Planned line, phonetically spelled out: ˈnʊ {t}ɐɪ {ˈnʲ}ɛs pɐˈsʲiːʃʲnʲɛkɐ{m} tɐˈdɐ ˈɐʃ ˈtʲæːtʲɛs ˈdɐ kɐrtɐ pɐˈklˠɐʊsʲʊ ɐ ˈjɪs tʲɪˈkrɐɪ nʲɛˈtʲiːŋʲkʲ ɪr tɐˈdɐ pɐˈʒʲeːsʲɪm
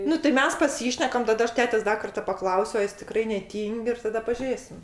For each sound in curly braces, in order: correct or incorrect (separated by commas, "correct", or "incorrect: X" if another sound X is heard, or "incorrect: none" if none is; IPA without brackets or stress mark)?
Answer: correct, incorrect: mʲ, correct